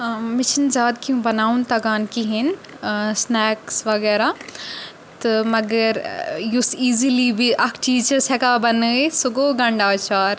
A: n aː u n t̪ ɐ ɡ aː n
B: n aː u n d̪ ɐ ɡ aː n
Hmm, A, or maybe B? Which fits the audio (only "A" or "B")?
A